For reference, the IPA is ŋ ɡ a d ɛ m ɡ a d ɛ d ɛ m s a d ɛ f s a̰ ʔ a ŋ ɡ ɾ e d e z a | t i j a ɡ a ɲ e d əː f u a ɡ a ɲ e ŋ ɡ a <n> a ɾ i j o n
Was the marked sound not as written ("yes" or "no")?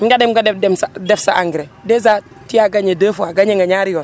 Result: yes